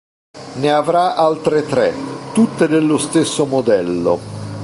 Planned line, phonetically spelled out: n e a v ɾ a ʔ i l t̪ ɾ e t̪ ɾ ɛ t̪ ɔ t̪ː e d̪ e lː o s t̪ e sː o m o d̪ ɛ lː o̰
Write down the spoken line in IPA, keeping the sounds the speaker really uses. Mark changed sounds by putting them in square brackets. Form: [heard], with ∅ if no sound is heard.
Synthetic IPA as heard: n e a v ɾ a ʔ [a] l t̪ ɾ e t̪ ɾ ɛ t̪ [u] t̪ː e d̪ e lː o s t̪ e sː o m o d̪ ɛ lː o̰